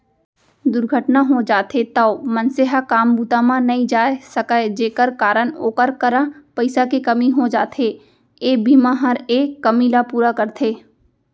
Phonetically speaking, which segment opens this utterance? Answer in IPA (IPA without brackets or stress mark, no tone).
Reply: d̪